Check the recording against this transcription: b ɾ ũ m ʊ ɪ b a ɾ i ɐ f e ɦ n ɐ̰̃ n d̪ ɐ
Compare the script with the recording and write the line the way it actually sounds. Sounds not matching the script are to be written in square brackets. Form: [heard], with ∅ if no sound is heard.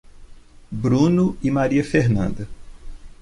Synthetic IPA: b ɾ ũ [n] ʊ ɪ [m] a ɾ i ɐ f e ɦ n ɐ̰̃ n d̪ ɐ